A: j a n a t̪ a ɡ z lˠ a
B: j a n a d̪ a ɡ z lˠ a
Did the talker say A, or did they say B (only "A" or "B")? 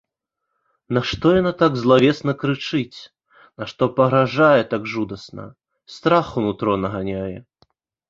A